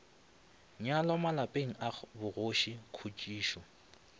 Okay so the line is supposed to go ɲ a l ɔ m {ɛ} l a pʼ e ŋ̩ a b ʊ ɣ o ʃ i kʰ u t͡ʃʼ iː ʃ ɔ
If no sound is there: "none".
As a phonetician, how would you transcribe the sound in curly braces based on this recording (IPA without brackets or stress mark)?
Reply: a